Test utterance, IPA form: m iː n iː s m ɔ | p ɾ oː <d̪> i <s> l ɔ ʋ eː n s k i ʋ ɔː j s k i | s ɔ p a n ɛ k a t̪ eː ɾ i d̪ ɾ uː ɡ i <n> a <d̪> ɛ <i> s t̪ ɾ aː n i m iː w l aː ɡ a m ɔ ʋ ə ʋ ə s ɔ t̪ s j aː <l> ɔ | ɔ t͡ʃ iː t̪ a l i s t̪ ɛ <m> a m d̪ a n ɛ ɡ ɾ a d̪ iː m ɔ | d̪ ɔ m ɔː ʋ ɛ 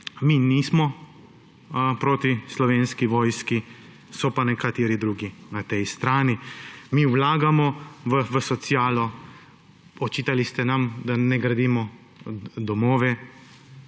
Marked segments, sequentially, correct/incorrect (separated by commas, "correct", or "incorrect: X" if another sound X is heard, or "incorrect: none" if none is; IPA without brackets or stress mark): incorrect: t̪, correct, correct, incorrect: t̪, incorrect: j, correct, incorrect: n